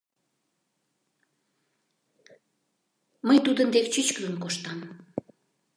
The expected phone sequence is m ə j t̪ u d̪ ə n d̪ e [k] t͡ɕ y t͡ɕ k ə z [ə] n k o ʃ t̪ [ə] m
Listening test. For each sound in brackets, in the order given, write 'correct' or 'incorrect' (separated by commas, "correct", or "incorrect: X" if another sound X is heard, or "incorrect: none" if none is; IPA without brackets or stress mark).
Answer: correct, correct, incorrect: ɑ